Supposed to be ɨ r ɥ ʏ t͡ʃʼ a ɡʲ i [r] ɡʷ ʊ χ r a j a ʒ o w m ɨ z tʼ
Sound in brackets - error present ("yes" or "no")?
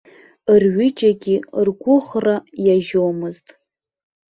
no